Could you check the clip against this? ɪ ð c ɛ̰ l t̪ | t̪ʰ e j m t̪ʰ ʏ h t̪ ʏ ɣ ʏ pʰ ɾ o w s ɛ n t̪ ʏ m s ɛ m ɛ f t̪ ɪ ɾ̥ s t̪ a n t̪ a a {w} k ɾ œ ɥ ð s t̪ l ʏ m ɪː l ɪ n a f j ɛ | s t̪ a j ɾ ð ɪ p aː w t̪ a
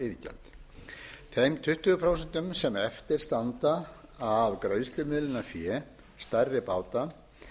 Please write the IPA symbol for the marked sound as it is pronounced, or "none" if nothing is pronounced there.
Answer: v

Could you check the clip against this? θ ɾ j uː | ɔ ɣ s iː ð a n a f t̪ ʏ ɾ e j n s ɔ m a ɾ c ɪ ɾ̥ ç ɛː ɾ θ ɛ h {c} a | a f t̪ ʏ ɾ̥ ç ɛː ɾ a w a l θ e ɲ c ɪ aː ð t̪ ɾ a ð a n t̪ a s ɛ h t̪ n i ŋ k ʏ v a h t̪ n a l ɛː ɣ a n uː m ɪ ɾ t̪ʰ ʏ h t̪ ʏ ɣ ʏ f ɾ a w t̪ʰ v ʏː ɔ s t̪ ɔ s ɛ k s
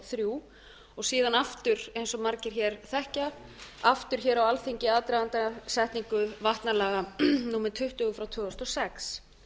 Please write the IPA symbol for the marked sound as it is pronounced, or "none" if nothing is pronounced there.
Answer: c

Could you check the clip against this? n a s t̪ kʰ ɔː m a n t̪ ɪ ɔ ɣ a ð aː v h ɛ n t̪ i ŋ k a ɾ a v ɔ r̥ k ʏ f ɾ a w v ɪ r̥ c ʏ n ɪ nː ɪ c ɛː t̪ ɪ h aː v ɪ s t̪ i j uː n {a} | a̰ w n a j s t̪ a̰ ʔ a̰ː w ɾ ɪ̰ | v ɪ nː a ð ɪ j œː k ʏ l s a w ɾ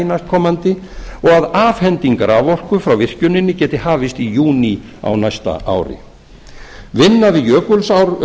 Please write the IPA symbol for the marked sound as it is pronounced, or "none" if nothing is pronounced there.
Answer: i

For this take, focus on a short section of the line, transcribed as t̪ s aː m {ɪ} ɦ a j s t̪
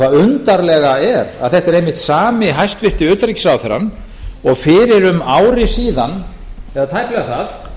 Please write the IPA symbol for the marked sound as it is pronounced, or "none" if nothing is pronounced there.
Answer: ɪ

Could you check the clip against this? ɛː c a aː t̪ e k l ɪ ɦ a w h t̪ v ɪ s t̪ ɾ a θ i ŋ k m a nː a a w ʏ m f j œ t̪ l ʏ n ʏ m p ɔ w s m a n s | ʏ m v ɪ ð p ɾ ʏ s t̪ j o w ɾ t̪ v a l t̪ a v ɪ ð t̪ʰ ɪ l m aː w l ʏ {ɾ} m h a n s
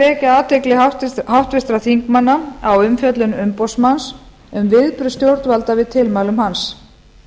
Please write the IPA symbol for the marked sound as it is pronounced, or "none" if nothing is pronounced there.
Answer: none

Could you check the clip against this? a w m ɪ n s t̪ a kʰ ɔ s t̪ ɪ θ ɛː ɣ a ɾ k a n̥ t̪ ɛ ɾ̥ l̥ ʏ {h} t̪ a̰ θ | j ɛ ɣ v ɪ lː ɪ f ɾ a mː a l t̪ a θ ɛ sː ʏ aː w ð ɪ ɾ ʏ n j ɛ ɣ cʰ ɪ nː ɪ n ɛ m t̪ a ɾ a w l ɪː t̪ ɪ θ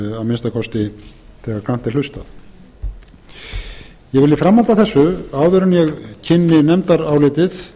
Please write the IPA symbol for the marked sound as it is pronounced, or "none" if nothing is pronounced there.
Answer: s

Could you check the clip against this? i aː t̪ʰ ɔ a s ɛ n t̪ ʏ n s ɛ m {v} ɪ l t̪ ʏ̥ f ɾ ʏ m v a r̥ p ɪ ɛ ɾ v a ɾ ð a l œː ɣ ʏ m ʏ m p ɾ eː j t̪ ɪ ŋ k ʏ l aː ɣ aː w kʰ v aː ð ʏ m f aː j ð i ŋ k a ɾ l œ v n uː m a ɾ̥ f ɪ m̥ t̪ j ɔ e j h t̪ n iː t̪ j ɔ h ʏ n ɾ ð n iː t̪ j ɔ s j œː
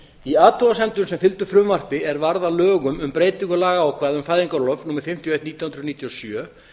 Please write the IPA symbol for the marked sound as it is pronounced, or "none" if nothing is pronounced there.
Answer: f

